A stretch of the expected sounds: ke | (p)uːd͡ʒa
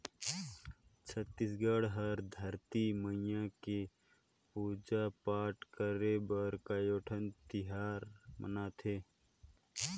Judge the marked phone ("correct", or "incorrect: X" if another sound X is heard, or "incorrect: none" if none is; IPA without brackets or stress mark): correct